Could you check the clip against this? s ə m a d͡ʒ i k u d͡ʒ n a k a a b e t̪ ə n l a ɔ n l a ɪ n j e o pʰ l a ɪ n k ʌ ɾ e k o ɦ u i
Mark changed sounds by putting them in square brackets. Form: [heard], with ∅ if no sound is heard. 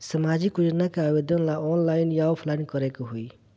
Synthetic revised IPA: s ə m a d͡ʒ i k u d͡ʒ n a k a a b e [d̪] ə n l a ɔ n l a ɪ n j [a] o pʰ l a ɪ n k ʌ ɾ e k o ɦ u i